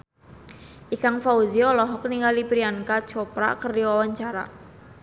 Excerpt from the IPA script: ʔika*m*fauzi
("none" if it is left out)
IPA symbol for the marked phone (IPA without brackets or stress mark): ŋ